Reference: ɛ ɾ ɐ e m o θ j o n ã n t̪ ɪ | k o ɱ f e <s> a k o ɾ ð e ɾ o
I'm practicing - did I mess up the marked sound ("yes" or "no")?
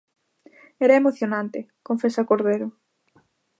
no